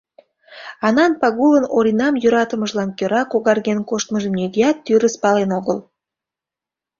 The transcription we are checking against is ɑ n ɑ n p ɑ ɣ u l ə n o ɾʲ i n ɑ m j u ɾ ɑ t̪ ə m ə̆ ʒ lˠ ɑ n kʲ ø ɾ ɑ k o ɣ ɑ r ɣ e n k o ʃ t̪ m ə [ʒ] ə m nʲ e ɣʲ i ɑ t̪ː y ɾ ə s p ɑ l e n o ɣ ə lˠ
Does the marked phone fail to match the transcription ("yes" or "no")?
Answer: no